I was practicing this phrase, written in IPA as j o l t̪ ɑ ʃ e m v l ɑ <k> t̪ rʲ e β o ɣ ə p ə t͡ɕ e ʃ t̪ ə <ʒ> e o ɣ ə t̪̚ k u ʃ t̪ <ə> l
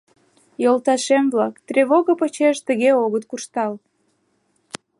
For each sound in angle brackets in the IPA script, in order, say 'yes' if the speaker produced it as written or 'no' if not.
yes, no, no

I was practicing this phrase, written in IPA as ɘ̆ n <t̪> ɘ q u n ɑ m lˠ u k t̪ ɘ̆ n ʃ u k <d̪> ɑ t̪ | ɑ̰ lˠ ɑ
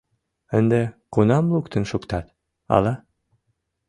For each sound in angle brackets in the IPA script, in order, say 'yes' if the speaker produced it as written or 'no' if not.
no, no

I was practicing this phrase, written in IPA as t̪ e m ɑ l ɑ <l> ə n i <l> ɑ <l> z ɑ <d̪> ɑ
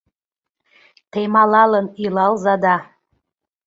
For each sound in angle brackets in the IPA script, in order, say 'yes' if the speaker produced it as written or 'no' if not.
yes, yes, yes, yes

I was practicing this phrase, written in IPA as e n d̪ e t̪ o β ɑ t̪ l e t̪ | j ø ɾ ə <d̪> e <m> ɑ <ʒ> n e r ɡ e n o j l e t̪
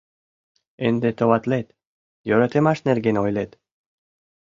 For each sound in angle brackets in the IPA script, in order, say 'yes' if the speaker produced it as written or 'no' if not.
no, yes, no

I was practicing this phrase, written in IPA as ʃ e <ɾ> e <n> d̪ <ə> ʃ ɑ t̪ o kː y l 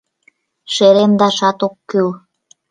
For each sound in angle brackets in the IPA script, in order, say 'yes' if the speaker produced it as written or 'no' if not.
yes, no, no

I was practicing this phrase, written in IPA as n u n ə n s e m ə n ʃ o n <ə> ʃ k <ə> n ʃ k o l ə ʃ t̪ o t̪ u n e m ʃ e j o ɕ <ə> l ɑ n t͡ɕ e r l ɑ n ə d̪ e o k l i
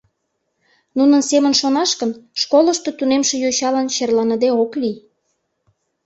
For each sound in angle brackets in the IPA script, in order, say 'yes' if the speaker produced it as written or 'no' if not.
no, yes, no

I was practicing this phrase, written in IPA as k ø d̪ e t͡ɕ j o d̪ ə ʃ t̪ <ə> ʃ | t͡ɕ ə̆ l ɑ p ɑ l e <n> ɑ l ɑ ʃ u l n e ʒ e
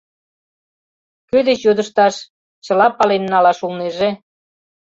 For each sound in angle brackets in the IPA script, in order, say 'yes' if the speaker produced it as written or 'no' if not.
no, no

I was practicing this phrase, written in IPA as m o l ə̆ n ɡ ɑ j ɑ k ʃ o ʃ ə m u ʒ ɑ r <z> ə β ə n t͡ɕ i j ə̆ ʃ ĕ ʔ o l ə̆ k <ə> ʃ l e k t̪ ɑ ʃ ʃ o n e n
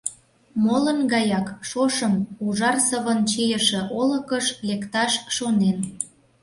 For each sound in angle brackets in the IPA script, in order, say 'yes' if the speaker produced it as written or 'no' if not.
no, yes

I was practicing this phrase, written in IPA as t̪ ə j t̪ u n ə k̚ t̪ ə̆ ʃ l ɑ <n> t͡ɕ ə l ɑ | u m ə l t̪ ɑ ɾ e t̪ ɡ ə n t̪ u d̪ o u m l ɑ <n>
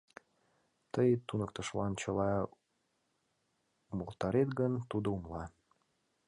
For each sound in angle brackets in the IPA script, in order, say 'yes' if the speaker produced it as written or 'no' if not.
yes, no

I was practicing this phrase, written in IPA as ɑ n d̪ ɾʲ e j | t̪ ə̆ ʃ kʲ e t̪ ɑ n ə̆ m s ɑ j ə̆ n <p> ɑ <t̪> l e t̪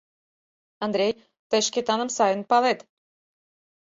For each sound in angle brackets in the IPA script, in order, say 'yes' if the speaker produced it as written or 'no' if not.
yes, no

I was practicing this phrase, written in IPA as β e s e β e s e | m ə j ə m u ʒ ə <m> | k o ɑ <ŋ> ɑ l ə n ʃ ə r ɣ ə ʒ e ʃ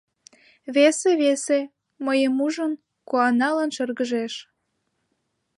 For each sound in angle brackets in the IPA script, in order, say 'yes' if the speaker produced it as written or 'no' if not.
no, no

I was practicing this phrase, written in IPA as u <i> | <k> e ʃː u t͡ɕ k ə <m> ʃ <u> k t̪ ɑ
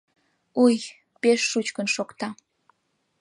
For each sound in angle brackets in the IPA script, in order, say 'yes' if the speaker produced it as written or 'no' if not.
no, no, no, no

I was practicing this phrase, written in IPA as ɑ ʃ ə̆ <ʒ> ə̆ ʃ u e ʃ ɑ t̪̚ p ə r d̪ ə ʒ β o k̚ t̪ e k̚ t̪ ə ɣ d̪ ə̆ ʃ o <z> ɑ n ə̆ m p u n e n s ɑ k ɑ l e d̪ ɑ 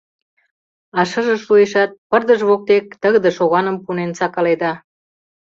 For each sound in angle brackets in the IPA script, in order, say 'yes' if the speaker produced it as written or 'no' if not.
yes, no

